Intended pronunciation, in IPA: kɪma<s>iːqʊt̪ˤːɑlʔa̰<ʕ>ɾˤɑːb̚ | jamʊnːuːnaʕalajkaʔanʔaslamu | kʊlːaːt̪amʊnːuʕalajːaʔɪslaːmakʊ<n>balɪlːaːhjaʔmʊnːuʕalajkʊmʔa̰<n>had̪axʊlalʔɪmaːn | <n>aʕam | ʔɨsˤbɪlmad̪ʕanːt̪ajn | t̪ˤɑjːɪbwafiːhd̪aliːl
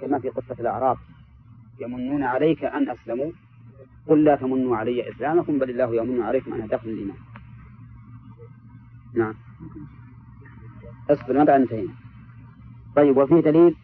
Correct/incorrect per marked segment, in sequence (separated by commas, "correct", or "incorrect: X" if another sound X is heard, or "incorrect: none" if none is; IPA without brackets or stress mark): incorrect: f, correct, incorrect: m, correct, correct